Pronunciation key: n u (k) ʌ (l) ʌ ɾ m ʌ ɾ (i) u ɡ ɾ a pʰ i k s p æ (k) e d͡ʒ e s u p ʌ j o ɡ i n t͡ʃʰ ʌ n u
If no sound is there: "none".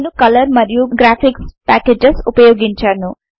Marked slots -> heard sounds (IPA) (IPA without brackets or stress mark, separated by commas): k, l, j, k